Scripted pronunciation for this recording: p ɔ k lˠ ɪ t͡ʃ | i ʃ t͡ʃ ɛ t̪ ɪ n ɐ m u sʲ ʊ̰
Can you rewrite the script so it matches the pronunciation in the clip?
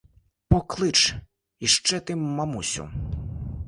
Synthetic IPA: p ɔ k lˠ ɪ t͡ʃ | i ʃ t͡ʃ ɛ t̪ ɪ m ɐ m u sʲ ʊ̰